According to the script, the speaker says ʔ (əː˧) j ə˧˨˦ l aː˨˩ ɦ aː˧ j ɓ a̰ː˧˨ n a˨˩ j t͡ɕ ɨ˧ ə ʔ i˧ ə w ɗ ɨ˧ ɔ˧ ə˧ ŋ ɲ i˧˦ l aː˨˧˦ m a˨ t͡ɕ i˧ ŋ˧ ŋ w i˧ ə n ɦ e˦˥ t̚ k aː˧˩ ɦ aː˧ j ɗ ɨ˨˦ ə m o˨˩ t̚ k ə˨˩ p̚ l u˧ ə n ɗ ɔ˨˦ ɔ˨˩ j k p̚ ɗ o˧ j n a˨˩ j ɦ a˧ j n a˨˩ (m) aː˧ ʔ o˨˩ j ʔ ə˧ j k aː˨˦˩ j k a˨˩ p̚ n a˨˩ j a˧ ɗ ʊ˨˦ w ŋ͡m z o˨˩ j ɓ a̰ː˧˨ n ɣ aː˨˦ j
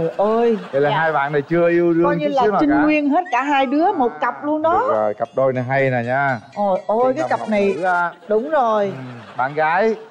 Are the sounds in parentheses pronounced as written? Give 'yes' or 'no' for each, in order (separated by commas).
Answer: yes, no